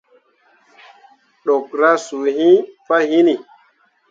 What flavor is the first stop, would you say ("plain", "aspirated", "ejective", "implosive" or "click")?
implosive